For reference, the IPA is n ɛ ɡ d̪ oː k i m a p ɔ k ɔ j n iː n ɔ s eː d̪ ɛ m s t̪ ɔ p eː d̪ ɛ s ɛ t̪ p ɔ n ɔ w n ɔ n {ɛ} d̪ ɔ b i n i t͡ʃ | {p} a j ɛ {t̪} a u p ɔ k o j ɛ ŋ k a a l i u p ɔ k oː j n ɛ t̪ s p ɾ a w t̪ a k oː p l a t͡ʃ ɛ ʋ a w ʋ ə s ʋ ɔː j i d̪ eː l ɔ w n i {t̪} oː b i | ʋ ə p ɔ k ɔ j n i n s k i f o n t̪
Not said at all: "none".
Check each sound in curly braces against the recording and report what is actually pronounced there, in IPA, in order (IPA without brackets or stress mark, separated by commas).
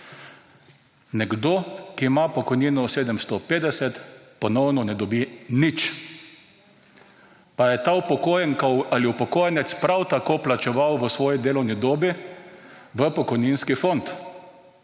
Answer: ɛ, p, t̪, d̪